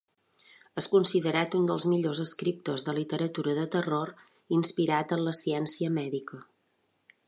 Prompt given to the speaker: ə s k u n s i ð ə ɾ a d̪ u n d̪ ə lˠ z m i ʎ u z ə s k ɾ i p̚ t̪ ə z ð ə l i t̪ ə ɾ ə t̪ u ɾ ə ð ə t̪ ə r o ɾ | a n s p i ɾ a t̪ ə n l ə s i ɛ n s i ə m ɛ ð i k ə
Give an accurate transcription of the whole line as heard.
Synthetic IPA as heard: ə s k u n s i ð ə ɾ a t̪ u n d̪ ə lˠ z m i ʎ o z ə s k ɾ i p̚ t̪ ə z ð ə l i t̪ ə ɾ ə t̪ u ɾ ə ð ə t̪ ə r o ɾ | i n s p i ɾ a t̪ ə n l ə s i ɛ n s i ə m ɛ ð i k ə